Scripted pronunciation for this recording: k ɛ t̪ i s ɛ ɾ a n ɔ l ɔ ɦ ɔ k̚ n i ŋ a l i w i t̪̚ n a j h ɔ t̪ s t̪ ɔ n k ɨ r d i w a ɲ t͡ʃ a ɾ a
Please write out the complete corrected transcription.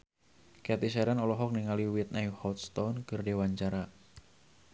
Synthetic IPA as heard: k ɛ t̪ i s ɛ ɾ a n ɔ l ɔ ɦ ɔ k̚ n i ŋ a l i w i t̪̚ n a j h ɔ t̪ s t̪ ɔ n k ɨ r d e w a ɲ t͡ʃ a ɾ a